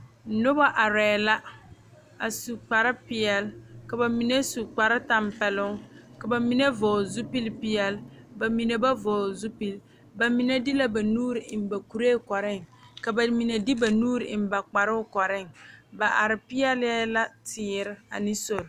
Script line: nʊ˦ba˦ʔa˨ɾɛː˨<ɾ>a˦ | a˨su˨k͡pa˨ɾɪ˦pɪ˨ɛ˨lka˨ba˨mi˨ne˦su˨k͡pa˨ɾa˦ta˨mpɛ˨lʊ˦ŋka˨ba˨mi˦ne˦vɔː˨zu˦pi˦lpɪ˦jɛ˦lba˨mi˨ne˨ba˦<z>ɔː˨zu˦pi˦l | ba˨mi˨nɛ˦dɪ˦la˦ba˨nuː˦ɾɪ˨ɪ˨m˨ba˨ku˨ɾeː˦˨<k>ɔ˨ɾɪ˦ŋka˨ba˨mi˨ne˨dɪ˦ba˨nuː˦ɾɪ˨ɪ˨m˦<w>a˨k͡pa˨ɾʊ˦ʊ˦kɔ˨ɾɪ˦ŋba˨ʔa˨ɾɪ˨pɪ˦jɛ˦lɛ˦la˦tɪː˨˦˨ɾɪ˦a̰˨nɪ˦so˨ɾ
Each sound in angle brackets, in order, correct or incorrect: incorrect: l, incorrect: v, correct, incorrect: b

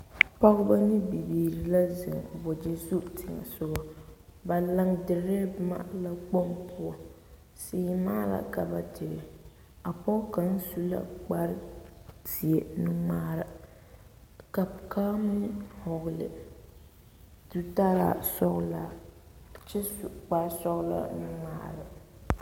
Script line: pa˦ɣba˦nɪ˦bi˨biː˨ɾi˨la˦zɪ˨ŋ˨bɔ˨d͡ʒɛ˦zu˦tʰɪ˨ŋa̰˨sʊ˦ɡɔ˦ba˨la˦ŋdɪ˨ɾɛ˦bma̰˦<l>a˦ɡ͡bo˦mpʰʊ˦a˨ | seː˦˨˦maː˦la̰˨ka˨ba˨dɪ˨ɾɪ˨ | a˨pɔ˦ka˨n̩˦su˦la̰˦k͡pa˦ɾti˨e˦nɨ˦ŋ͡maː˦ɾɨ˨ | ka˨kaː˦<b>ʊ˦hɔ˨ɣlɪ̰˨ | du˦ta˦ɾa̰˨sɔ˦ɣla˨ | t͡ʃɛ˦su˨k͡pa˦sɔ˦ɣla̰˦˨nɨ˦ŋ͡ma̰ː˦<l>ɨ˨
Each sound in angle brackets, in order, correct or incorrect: correct, incorrect: m, incorrect: ɾ

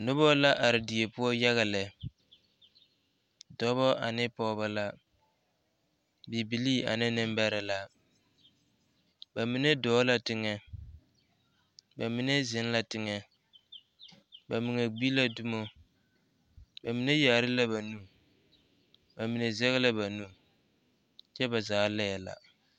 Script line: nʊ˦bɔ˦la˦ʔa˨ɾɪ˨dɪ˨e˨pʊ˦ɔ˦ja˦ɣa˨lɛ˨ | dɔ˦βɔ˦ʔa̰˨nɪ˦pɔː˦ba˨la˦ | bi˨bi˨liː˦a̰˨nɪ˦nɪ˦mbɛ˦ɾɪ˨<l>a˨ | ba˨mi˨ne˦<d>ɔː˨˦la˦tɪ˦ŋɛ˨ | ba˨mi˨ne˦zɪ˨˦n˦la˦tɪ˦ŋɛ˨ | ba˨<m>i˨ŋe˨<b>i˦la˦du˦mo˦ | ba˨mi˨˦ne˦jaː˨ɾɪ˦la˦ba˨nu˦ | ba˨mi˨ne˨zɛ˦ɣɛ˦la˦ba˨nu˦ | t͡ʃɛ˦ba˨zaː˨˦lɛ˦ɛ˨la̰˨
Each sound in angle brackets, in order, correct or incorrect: correct, correct, correct, incorrect: ɡ͡b

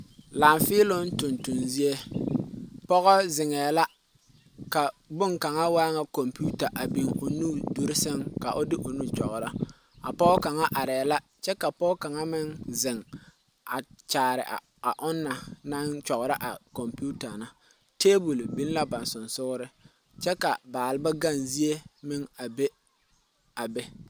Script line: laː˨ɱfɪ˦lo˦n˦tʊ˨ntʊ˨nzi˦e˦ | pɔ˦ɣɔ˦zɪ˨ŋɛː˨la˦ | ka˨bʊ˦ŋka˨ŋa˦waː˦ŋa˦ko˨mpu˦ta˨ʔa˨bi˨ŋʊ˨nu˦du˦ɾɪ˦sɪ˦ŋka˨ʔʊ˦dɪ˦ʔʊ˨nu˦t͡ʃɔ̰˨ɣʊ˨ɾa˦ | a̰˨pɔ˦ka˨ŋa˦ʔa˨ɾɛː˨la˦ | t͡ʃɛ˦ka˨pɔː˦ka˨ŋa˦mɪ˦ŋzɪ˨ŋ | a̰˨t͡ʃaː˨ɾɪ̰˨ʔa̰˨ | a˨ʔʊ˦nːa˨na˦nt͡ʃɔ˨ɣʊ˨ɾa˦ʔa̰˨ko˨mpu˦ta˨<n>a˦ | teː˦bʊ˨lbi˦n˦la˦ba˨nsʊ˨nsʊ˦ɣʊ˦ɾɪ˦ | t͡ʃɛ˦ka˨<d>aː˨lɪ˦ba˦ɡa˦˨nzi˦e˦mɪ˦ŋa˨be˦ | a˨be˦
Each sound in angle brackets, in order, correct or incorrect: correct, incorrect: b

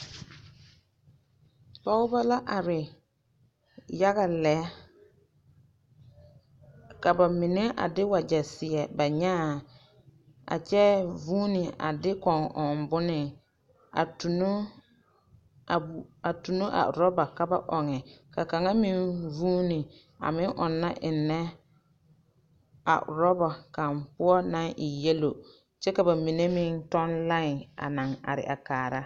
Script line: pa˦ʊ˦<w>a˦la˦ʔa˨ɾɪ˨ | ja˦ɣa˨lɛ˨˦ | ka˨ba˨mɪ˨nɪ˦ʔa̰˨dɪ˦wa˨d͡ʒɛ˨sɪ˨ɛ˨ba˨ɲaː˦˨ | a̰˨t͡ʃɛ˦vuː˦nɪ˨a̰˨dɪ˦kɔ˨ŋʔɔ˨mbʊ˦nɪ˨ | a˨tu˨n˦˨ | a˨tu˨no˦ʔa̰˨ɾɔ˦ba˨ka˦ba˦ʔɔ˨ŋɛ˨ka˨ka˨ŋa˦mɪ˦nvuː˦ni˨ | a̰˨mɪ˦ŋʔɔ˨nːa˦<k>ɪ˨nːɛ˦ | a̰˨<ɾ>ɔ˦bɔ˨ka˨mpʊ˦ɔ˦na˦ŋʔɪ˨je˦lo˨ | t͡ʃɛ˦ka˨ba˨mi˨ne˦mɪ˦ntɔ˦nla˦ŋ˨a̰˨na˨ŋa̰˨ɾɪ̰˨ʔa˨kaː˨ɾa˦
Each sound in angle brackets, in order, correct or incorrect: incorrect: b, incorrect: ʔ, correct

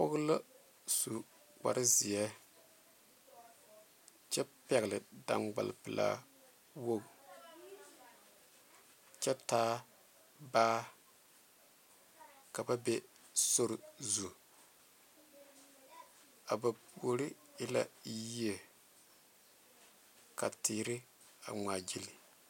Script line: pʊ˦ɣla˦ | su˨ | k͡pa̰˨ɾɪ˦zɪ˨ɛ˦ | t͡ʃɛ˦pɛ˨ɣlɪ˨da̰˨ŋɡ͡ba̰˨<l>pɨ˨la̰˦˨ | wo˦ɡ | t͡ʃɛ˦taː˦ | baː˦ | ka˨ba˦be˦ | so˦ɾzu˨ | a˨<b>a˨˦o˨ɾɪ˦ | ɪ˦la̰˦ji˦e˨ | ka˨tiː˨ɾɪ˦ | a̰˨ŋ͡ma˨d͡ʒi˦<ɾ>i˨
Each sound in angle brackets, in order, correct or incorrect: correct, correct, incorrect: l

